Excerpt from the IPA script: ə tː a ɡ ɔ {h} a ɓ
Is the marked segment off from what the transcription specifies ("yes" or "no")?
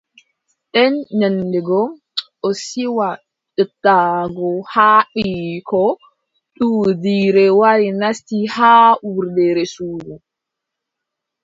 no